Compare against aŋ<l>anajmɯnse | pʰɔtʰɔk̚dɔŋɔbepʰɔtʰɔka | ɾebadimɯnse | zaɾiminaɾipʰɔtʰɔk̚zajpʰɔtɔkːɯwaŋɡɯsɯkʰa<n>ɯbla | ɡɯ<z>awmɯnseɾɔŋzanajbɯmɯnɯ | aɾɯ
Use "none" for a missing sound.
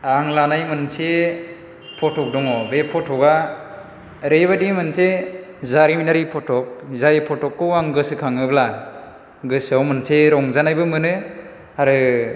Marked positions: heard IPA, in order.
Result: l, ŋ, s

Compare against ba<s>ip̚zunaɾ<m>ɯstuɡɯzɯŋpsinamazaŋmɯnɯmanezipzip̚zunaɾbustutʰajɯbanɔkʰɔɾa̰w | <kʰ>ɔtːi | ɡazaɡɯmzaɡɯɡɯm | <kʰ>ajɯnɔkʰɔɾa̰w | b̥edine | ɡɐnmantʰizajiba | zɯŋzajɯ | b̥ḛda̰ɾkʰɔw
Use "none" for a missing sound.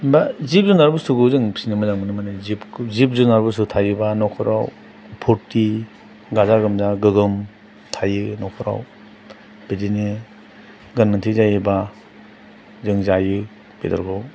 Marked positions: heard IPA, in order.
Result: z, b, pʰ, tʰ

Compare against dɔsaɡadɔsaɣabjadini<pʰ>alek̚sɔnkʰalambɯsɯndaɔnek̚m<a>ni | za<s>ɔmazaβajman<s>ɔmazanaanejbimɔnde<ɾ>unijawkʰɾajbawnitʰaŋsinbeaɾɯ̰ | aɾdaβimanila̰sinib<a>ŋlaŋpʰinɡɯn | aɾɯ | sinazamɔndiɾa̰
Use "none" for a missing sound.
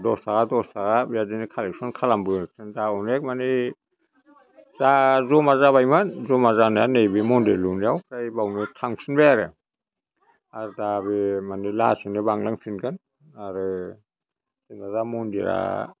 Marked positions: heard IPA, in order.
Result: kʰ, a, z, z, l, a

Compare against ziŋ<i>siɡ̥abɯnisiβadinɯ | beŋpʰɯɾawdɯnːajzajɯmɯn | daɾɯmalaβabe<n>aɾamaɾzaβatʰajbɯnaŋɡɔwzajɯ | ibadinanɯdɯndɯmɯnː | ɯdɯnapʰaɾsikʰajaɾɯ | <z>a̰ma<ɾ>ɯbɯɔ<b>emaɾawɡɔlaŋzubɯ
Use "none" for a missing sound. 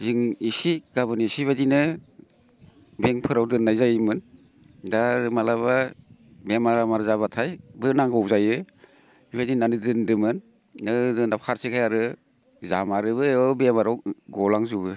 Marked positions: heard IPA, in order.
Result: i, m, z, ɾ, b

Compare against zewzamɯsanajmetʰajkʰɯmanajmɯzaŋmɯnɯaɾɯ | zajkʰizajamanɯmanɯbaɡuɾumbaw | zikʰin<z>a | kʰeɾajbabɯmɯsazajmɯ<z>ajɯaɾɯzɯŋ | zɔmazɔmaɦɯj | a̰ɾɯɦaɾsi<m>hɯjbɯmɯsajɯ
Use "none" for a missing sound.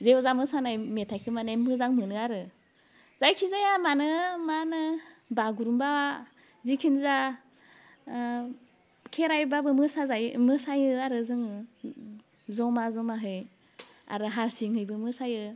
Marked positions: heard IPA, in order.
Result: z, s, ŋ

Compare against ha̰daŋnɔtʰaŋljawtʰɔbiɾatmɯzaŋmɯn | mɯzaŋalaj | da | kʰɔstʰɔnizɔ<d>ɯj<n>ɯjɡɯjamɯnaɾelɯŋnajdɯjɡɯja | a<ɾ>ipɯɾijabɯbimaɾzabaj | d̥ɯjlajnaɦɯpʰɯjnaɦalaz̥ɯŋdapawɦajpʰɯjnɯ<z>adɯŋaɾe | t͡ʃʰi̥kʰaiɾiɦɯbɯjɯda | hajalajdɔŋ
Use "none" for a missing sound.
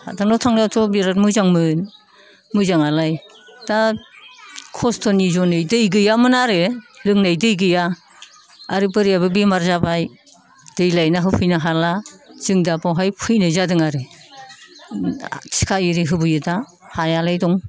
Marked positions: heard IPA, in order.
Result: n, d, ɾ, z

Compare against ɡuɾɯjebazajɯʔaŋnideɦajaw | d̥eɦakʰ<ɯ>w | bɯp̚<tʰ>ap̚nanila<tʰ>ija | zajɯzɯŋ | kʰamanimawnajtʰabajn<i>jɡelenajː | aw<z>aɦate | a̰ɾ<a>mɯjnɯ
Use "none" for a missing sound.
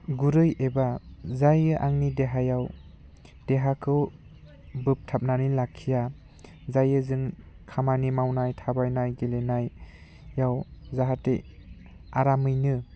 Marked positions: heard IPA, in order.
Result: ɯ, tʰ, kʰ, a, z, a

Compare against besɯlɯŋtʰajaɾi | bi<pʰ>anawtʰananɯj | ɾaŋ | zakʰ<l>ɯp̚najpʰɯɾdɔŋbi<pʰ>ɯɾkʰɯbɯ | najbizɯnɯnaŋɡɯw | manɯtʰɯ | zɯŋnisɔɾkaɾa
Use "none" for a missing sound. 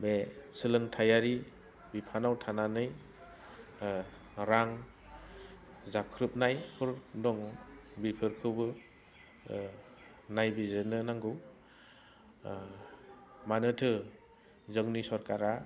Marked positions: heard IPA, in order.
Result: pʰ, ɾ, pʰ

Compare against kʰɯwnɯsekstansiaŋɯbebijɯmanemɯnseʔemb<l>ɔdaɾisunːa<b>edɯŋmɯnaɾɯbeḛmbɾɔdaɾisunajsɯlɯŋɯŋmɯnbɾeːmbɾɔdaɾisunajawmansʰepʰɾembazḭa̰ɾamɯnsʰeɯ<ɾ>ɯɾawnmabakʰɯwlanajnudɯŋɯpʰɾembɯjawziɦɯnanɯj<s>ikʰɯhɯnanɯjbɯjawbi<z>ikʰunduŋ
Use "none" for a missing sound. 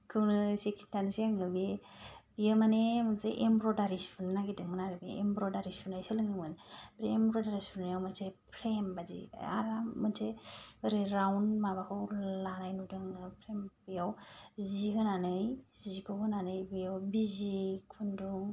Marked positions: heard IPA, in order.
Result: ɾ, ɡ, ɾ, z, z

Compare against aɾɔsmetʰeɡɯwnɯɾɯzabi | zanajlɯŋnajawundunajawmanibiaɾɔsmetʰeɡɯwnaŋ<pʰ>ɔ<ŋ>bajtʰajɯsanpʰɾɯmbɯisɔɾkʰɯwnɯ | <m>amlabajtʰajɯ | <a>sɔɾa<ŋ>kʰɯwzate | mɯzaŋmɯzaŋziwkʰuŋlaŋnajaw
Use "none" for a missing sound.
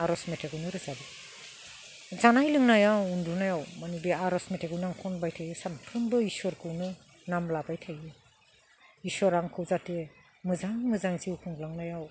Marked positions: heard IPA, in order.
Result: kʰ, n, n, i, ŋ

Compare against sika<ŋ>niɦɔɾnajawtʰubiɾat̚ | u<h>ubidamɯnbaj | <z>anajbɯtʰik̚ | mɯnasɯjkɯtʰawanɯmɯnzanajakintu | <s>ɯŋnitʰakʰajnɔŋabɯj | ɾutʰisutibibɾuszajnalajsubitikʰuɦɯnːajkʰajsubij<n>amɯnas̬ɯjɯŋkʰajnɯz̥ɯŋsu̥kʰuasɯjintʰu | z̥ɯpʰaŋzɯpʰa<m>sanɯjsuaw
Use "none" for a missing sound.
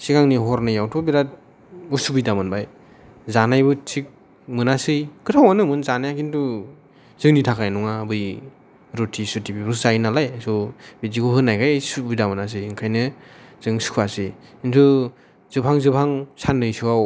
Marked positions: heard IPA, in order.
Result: ŋ, s, z, z, d, ŋ

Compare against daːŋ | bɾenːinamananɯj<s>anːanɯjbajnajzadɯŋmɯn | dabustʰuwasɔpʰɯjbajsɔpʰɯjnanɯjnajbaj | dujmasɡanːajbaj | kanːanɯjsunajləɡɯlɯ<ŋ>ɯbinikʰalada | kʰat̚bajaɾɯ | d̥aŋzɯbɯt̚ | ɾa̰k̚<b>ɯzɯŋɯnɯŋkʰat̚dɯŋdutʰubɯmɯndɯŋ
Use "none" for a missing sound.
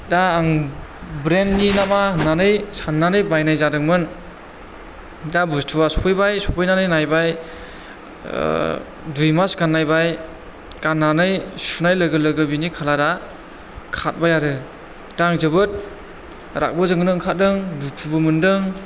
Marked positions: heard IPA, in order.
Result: s, ɡ, b

